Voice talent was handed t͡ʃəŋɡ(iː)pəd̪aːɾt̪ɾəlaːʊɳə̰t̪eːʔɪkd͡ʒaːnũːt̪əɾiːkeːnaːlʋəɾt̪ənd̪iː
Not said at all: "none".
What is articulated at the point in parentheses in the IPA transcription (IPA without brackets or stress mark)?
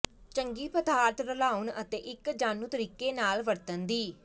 iː